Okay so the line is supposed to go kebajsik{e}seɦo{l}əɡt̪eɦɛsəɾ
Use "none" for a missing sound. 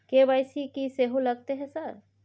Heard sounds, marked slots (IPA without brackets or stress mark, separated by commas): i, l